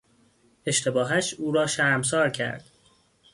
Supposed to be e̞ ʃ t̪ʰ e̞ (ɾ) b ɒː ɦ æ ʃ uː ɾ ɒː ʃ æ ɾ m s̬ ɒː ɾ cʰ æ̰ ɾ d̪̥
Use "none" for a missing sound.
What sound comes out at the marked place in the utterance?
none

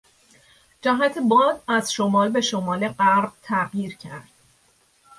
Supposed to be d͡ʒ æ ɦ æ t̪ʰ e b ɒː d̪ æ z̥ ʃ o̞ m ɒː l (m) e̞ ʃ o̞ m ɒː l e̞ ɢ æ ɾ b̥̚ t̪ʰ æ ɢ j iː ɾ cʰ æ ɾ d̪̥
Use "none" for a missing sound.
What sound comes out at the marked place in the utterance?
b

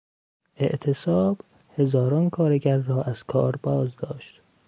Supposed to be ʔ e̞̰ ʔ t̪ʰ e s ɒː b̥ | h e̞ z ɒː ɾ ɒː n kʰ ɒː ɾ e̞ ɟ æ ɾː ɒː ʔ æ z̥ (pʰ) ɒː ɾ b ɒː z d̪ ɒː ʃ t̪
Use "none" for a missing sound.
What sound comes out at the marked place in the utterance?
kʰ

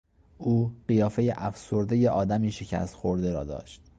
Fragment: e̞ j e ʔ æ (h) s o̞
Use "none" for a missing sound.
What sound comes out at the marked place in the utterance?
f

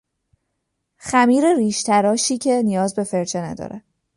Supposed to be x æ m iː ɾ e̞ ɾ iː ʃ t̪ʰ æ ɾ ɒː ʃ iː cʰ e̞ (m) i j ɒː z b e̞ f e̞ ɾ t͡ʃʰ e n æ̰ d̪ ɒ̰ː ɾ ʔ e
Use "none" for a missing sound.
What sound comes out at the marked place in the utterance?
n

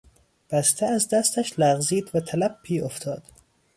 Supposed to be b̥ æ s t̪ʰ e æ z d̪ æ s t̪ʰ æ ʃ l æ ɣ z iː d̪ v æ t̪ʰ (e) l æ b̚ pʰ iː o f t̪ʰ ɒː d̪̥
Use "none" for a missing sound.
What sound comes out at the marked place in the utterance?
æ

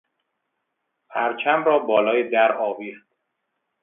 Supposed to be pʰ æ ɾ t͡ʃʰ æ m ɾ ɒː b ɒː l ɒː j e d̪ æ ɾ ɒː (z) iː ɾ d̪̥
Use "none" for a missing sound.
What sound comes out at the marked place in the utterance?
v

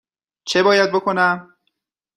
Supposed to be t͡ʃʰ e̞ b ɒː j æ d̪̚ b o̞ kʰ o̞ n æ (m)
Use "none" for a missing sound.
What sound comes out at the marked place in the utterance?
m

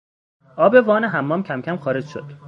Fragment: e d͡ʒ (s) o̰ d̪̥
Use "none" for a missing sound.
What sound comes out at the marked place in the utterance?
ʃ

